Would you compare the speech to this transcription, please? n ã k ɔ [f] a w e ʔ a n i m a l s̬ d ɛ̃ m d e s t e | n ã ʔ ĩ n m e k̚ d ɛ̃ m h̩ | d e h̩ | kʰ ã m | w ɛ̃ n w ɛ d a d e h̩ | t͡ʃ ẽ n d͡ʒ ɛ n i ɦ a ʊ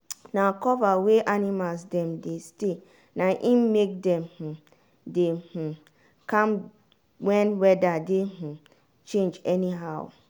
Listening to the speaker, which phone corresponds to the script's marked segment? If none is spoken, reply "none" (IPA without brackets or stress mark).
v